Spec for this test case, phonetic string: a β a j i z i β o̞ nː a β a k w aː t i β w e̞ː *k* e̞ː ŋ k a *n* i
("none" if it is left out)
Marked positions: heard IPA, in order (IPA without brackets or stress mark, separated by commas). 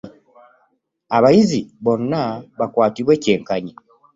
c, ɲ